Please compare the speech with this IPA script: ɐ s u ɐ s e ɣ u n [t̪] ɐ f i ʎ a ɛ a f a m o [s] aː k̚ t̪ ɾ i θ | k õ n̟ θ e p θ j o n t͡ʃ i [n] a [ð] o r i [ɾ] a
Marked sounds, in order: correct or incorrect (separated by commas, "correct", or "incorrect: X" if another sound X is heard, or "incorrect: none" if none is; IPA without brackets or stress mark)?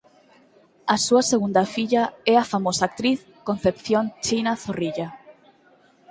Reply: incorrect: d̪, correct, correct, incorrect: θ, incorrect: ʎ